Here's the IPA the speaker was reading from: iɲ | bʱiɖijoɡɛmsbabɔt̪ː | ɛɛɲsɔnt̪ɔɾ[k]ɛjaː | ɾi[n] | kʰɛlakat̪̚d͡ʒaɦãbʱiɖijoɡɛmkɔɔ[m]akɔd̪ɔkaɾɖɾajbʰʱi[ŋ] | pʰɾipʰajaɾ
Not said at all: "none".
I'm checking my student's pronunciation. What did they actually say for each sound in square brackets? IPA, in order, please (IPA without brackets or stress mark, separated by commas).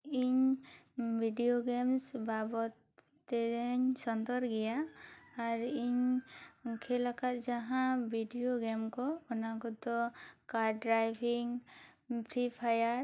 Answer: ɡ, ɲ, n, ŋ